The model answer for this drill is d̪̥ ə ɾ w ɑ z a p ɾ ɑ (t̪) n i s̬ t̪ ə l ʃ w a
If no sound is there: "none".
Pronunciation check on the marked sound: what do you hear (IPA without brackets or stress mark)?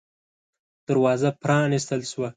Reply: none